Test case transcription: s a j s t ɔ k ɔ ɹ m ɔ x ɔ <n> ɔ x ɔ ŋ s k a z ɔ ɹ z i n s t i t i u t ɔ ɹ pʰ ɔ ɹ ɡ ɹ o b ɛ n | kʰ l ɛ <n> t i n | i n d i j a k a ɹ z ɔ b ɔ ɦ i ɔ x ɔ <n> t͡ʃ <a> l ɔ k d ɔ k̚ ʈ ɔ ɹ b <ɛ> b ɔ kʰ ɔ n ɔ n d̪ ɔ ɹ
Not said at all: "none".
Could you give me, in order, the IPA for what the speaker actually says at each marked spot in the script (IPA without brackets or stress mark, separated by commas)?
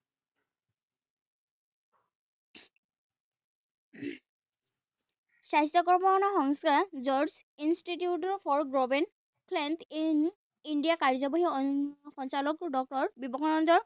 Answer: n, n, n, a, i